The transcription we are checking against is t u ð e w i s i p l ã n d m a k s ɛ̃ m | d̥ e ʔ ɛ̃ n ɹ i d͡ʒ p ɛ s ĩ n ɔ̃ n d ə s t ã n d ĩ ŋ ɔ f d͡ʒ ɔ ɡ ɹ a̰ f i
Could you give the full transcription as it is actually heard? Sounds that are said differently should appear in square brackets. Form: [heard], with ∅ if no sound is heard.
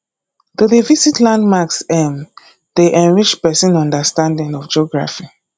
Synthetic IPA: t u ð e [v] i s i [t] l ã n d m a k s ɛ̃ m | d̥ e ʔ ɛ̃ n ɹ i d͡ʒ p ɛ s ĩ n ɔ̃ n d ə s t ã n d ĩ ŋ ɔ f d͡ʒ ɔ ɡ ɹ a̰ f i